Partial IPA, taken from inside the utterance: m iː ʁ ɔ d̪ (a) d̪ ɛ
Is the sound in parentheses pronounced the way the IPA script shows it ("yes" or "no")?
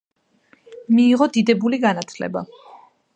no